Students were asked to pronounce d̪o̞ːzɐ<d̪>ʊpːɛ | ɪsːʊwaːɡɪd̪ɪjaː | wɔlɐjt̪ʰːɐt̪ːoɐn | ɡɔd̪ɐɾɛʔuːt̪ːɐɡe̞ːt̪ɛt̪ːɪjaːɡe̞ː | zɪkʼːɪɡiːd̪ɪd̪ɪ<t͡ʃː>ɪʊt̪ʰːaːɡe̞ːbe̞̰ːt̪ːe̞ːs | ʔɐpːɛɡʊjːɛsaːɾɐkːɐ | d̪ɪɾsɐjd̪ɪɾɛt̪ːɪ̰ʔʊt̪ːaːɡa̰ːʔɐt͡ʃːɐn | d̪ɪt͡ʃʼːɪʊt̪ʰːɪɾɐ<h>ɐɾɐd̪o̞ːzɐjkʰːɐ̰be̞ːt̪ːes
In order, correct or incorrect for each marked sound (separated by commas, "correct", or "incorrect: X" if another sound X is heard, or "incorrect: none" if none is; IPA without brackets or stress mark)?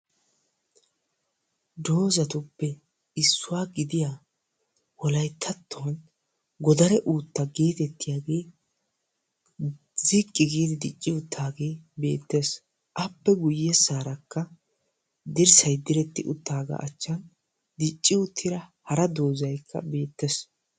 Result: incorrect: t̪, incorrect: t͡ʃʼː, correct